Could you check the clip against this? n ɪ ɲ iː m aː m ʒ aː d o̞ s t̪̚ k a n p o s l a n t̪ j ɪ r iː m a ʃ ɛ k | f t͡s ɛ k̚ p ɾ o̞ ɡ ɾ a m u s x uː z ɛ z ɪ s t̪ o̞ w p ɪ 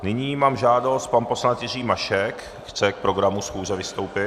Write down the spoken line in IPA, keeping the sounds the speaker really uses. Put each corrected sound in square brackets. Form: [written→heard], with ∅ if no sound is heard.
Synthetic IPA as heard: n ɪ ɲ iː m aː m ʒ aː d o̞ s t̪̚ [k→p] a n p o s l a n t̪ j ɪ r iː m a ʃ ɛ k | [f→x] t͡s ɛ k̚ p ɾ o̞ ɡ ɾ a m u s x uː z ɛ [z→v] ɪ s t̪ o̞ w p ɪ